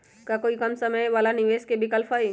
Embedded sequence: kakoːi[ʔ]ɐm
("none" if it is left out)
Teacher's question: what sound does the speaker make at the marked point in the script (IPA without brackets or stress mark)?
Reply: k